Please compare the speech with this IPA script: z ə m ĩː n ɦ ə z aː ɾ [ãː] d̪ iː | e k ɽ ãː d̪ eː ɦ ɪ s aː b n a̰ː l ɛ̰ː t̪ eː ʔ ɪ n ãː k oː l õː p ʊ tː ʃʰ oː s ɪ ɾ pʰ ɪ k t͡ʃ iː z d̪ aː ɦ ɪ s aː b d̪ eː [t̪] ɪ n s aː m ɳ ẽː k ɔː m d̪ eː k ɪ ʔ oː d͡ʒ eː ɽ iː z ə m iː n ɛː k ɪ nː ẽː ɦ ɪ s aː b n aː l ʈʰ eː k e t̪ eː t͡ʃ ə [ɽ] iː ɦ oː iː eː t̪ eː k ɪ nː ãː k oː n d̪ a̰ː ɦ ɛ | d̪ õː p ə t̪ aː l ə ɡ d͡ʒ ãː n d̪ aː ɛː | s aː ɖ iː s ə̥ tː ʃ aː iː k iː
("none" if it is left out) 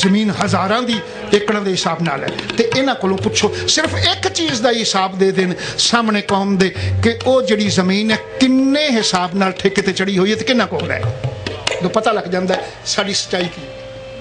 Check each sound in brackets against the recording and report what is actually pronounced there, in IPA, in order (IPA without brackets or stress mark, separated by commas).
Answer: ãː, d̪, ɽ